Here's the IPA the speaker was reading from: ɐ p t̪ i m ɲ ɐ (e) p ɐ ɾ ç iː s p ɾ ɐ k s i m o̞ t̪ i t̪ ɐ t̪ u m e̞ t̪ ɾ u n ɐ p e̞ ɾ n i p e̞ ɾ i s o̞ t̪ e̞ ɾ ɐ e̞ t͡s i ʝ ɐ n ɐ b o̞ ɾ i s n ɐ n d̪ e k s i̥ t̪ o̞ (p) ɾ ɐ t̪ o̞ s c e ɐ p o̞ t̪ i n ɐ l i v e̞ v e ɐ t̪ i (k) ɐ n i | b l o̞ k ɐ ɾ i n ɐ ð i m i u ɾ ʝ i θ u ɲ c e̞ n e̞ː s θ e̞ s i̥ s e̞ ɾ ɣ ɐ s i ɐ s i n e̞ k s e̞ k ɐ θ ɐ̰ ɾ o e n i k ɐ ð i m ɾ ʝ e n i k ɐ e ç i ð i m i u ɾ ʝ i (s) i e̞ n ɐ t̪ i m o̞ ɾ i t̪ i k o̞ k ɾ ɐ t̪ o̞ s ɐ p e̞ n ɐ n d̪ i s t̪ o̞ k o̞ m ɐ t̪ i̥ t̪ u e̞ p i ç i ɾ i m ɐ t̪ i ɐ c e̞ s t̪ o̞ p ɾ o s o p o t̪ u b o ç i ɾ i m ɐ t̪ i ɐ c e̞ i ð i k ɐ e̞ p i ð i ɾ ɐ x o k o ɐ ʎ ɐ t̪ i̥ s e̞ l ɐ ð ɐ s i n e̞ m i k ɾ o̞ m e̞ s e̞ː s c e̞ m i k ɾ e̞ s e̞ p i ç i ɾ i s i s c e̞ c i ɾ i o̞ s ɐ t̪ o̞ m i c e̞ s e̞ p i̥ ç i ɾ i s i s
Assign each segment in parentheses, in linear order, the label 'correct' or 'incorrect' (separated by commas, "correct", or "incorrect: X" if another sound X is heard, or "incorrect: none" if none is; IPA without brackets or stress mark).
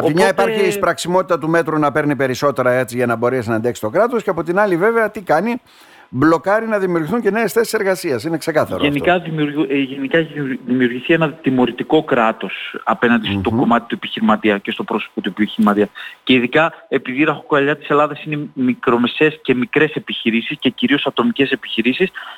incorrect: i, incorrect: k, correct, incorrect: θ